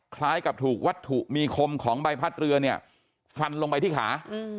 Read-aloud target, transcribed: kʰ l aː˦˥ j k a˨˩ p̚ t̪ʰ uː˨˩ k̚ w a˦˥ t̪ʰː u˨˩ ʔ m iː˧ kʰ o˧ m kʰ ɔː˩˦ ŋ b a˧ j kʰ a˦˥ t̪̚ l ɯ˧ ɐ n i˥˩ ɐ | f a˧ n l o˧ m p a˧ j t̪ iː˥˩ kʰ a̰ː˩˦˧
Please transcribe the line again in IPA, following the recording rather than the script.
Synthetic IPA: kʰ l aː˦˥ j k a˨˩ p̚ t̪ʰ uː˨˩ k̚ w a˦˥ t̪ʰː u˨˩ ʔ m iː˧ kʰ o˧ m kʰ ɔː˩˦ ŋ b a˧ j pʰ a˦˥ t̪̚ ɾ ɯ˧ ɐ n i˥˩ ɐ | f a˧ n l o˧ ŋ p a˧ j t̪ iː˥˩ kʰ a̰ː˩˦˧